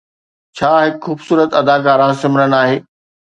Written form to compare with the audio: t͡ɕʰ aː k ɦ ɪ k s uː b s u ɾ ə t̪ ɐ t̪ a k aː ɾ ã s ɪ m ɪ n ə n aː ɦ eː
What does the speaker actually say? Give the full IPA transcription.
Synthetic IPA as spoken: t͡ɕʰ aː ɦ ɪ k x uː b s uː ɾ ə t̪ ɐ d̪ a k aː ɾ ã s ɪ m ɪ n ə n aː ɦ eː